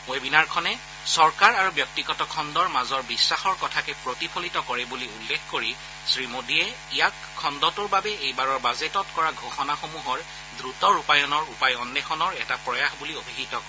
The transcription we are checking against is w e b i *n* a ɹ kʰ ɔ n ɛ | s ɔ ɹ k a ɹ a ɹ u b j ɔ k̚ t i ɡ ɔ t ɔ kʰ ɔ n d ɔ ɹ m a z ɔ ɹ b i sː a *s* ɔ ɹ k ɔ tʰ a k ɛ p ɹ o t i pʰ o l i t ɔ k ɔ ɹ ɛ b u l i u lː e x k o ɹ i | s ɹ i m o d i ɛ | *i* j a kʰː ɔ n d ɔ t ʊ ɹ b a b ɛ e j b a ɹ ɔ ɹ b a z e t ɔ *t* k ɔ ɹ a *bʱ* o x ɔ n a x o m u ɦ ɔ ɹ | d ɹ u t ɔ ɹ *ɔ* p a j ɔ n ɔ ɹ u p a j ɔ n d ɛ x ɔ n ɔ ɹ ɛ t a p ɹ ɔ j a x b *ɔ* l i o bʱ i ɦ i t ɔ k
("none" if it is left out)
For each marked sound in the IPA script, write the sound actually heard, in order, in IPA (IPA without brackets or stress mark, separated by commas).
n, x, i, t, ɡʱ, u, u